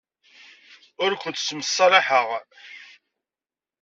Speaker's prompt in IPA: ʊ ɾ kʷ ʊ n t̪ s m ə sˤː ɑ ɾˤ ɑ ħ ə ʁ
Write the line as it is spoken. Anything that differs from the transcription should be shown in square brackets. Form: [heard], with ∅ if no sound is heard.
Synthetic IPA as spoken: ʊ ɾ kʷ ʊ n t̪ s m ə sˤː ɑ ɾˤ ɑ ħ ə ʁ